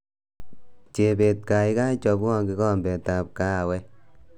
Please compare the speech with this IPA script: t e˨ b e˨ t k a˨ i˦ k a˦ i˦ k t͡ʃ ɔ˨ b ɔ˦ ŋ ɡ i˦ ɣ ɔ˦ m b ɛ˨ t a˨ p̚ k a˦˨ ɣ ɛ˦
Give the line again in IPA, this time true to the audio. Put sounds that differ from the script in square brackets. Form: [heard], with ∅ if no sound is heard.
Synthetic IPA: [t͡ʃ] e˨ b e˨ t k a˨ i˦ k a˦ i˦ [∅] t͡ʃ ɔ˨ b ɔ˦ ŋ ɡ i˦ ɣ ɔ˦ m b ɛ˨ t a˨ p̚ k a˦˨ [w] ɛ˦